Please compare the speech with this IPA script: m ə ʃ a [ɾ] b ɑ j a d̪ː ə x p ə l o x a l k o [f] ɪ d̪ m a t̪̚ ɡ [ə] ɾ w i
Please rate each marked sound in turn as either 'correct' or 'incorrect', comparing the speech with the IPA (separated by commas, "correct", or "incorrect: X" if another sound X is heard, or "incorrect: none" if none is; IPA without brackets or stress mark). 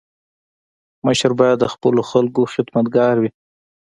correct, incorrect: x, incorrect: ɑ